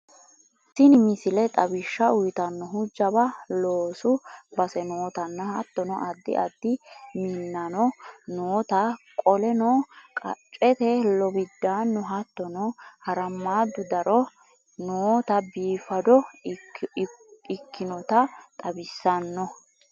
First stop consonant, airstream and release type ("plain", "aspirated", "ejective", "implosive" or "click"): ejective